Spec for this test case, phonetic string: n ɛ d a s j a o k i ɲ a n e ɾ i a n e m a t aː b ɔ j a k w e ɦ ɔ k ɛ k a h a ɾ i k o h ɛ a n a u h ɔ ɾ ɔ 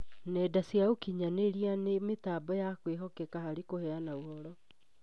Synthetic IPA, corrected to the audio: n ɛ d a s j a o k i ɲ a n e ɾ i a n e m e t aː b ɔ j a k w e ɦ ɔ k ɛ k a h a ɾ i k o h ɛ a n a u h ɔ ɾ ɔ

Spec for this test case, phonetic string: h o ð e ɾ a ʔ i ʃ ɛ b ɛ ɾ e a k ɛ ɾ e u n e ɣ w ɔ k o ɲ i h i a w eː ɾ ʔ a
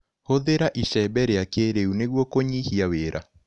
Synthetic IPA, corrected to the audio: h o ð e ɾ a ʔ i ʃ ɛ b ɛ ɾ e a k e ɾ e u n e ɣ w ɔ k o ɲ i h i a w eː ɾ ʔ a

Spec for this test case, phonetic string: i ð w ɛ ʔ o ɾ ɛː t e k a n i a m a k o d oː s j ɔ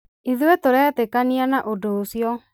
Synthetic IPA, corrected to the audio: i ð w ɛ t o ɾ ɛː t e k a n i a n a ʔ o d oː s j ɔ

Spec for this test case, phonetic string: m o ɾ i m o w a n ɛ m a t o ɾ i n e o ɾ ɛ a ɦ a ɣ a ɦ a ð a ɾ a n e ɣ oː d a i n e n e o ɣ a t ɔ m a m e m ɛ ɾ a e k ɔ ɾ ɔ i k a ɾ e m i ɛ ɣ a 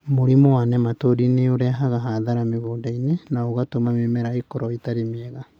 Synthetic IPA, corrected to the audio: m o ɾ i m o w a n ɛ m a t o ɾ i n e o ɾ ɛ a ɦ a ɣ a ɦ a ð a ɾ a m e ɣ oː d a i n e n a o ɣ a t o m a m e m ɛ ɾ a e k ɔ ɾ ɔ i t a ɾ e m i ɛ ɣ a

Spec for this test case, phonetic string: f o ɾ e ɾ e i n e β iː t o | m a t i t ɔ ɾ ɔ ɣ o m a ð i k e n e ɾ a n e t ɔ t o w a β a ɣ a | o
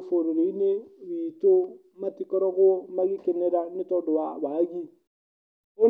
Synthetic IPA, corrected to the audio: f o ɾ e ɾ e i n e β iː t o | m a t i k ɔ ɾ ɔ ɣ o m a ɣ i k e n e ɾ a n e t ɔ d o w a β a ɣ i | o

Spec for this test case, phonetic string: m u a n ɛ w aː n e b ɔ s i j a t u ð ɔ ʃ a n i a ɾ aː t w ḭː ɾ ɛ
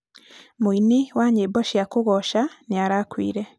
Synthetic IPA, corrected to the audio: m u i n i w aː ɲ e b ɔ ʃ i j a k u ɣ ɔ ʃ a n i a ɾ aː k w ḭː ɾ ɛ

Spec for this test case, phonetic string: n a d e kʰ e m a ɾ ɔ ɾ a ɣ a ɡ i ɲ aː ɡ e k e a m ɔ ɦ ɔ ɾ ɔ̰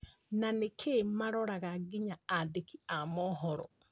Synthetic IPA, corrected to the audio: n a n e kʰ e m a ɾ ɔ ɾ a ɣ a ɡ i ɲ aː d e k i a m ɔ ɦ ɔ ɾ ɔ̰

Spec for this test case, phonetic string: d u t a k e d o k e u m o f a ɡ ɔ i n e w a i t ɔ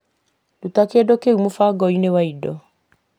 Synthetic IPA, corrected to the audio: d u t a k e d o k e u m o f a ɡ ɔ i n e w a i d ɔ

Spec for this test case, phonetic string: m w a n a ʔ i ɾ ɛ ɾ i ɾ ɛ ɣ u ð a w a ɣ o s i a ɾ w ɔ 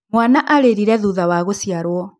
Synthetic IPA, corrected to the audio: m w a n a ʔ a ɾ e ɾ i ɾ ɛ ð u ð a w a ɣ o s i a ɾ w ɔ

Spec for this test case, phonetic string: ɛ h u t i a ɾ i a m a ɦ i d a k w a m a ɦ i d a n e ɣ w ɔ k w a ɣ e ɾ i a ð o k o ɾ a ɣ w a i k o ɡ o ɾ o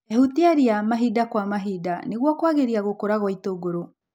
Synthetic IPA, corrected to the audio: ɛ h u t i a ɾ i a m a ɦ i d a k w a m a ɦ i d a n e ɣ w ɔ k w a ɣ e ɾ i a ɣ o k o ɾ a ɣ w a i t o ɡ o ɾ o

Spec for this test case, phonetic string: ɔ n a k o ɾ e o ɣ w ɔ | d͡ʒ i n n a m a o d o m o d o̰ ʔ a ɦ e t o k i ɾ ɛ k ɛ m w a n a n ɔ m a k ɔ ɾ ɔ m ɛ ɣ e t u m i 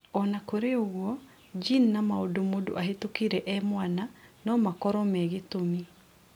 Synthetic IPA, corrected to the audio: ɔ n a k o ɾ e o ɣ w ɔ | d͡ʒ i n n a m a o d o m o d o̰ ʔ a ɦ e t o k i ɾ ɛ ʔ ɛ m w a n a n ɔ m a k ɔ ɾ ɔ m ɛ ɣ e t o m i

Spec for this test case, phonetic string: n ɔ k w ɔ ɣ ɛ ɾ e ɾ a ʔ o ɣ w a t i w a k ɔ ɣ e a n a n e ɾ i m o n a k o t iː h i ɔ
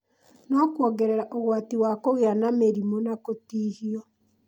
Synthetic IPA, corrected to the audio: n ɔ k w ɔ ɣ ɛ ɾ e ɾ a ʔ o ɣ w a t i w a k o ɣ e a n a m e ɾ i m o n a k o t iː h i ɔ

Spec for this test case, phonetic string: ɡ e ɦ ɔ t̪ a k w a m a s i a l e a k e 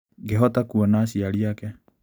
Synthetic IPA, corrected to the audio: ɡ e ɦ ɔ t̪ a k u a n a s i a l i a k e

